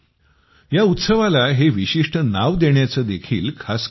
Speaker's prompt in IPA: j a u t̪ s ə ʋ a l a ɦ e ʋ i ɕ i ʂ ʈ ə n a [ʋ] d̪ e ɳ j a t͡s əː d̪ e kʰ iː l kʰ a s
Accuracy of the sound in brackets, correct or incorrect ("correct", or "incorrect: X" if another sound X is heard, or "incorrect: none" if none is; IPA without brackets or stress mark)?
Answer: correct